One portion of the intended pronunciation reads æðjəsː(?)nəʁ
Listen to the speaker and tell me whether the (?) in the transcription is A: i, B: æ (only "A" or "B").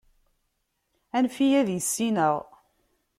A